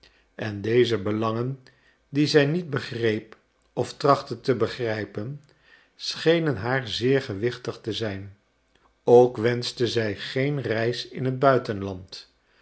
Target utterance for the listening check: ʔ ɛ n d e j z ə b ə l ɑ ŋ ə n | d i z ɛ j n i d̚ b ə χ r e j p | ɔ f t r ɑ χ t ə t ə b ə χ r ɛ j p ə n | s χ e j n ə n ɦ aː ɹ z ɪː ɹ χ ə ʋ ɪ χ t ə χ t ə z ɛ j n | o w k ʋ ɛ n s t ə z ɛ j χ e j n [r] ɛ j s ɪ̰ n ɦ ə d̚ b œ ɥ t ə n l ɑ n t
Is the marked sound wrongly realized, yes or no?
no